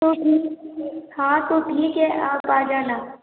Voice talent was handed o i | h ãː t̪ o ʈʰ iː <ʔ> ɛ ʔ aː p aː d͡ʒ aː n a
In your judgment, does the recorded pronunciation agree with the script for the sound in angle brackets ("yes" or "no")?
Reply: no